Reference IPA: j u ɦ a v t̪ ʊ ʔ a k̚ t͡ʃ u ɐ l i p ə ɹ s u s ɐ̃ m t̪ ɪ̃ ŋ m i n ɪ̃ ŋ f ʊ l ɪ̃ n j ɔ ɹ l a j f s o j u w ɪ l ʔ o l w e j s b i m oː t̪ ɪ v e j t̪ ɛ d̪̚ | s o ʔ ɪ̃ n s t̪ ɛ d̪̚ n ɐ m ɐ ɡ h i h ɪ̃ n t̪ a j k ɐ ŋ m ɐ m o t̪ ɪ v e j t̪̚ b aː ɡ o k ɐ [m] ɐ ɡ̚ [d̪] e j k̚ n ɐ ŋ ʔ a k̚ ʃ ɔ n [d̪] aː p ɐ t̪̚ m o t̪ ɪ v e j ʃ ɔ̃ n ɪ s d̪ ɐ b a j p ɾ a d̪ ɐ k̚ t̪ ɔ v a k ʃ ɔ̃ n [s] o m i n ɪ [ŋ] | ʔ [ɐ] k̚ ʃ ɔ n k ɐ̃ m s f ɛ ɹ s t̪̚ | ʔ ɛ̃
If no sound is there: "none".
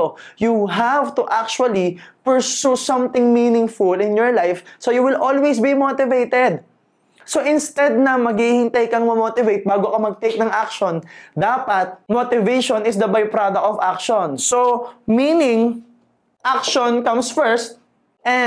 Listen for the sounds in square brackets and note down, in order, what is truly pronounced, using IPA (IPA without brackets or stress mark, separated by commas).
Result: m, t̪, d̪, s, ŋ, a